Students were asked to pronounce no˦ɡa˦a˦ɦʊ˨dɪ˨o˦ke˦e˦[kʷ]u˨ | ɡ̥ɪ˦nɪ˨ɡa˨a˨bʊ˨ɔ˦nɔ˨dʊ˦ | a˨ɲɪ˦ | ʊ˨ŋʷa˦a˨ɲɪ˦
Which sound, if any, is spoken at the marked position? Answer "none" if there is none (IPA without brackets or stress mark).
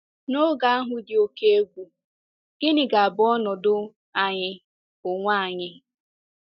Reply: ɡʷ